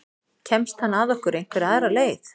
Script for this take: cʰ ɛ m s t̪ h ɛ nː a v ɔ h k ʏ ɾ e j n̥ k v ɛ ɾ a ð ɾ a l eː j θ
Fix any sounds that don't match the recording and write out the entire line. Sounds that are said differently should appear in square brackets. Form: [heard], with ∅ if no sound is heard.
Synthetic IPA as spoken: cʰ ɛ m s t̪ h [a] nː a [ð] ɔ h k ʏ ɾ e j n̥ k v ɛ ɾ a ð ɾ a l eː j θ